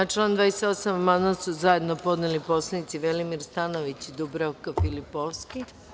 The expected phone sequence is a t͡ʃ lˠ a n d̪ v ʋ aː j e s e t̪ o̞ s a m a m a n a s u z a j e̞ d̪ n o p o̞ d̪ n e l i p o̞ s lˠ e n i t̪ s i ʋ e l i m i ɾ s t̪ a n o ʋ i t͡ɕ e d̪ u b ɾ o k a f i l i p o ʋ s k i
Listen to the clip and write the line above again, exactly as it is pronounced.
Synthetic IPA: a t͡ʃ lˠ a n d̪ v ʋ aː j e s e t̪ o̞ s a m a m a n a s u z a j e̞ d̪ n o p o̞ d̪ n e l i p o̞ s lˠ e n i t̪ s i ʋ e l i m i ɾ s t̪ a n o ʋ i t͡ɕ i d̪ u b ɾ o k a f i l i p o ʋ s k i